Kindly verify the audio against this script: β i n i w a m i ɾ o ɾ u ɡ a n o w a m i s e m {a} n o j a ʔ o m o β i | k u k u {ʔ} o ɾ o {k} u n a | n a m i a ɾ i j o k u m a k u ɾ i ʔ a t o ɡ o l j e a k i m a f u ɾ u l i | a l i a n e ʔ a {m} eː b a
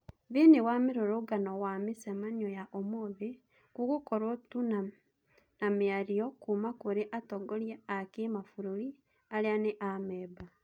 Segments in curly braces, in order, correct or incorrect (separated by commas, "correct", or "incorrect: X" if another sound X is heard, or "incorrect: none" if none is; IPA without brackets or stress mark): correct, incorrect: k, incorrect: t, correct